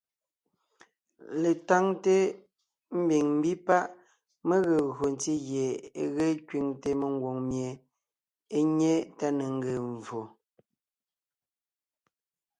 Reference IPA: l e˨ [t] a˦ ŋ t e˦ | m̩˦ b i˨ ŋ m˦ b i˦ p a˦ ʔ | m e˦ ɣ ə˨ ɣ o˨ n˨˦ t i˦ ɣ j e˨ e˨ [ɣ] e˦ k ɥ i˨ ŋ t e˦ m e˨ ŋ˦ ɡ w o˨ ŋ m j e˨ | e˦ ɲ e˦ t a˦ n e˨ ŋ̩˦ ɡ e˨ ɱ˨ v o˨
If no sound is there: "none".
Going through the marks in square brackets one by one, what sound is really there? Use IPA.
t, ɣ

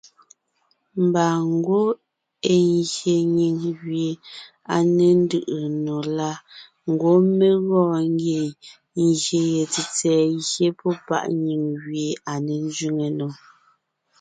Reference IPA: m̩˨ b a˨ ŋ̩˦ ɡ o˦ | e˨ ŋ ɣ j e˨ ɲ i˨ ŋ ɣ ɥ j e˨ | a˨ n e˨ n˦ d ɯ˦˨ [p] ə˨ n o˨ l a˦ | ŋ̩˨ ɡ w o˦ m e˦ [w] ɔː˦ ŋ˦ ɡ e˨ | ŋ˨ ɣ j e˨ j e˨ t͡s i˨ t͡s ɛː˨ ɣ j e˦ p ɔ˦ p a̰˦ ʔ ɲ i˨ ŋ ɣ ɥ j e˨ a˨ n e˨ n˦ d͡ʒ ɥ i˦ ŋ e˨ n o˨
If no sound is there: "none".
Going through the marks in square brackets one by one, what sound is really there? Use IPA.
ʔ, ɣ

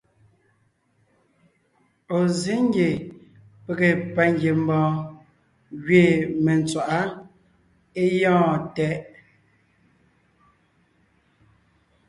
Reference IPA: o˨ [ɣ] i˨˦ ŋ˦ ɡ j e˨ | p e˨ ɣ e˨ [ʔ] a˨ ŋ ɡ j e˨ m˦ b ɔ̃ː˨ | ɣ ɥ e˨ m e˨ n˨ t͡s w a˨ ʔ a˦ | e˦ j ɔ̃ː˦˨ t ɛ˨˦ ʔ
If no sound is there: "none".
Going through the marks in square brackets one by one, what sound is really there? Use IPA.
z, p

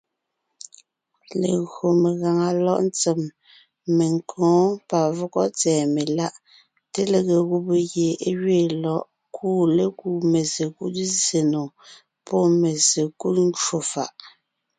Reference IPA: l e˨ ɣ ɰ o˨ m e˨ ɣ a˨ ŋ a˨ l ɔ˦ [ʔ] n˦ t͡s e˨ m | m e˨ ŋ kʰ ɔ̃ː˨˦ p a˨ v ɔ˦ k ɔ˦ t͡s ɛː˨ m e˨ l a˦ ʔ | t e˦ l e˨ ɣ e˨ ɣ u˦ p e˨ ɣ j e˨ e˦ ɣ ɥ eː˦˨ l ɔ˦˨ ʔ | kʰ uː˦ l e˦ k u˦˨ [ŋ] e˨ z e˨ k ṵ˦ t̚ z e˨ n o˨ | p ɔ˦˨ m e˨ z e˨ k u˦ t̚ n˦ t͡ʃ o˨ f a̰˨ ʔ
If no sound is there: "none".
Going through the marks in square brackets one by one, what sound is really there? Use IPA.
ʔ, m

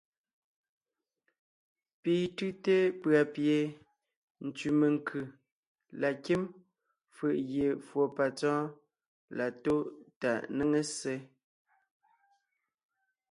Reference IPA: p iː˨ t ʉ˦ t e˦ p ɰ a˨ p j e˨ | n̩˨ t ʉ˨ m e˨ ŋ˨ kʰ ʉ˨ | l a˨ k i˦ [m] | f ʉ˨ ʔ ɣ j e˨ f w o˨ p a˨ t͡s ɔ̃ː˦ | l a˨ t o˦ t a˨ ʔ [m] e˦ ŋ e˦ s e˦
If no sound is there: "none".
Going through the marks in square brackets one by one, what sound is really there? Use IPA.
m, n

